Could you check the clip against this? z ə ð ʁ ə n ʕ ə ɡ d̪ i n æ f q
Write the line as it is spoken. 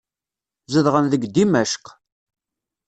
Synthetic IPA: z ə ð ʁ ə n ð ə ɡ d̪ i m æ ʃ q

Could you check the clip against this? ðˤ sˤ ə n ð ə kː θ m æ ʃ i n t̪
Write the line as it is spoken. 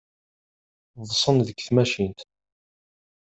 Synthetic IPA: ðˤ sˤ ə n ð ə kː θ m æ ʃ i n t̪

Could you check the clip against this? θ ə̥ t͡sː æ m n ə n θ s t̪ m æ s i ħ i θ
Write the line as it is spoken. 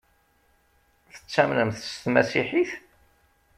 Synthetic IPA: θ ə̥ t͡sː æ m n ə m θ s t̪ m æ s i ħ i θ

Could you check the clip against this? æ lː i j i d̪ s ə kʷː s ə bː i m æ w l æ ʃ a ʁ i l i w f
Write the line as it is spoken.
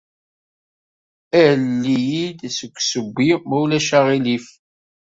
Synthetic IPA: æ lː i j i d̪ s ə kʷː s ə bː i m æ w l æ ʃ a ʁ i l i f

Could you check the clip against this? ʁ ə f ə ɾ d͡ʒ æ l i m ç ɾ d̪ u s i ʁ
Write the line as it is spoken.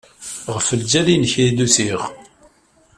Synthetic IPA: ʁ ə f ə l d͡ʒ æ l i n ç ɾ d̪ u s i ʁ

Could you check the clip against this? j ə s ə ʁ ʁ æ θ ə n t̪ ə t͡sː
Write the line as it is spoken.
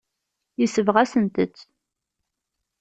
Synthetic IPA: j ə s ə v ʁ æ s ə n t̪ ə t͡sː

